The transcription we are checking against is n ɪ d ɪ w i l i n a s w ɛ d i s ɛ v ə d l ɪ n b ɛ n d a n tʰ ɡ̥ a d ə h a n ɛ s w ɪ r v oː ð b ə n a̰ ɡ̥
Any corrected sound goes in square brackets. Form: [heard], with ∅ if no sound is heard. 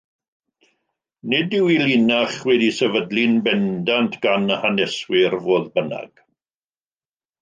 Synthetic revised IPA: n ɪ d ɪ w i l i n a [χ] w ɛ d i s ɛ v ə d l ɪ n b ɛ n d a n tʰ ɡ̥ a [n] ə h a n ɛ s w ɪ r v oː ð b ə n a̰ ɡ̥